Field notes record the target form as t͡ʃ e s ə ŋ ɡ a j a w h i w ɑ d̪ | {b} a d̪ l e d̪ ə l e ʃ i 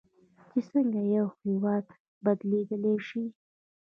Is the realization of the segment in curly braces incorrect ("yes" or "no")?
no